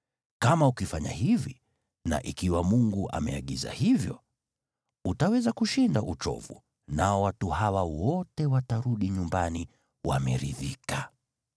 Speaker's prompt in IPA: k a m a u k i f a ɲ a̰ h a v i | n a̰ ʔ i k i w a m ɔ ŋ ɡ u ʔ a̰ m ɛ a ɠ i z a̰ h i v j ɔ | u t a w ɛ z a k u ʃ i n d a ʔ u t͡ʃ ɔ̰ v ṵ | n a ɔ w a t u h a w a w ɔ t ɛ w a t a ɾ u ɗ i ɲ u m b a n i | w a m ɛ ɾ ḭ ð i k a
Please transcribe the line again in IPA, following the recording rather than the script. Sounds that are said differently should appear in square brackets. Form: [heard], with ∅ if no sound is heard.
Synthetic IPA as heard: k a m a u k i f a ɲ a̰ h [i] v i | n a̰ ʔ i k i w a m [u] ŋ ɡ u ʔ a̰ m ɛ a ɠ i z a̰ h i v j ɔ | u t a w ɛ z a k u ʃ i n d a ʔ u t͡ʃ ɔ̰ v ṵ | n a ɔ w a t u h a w a w ɔ t ɛ w a t a ɾ u ɗ i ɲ u m b a n i | w a m ɛ ɾ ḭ ð i k a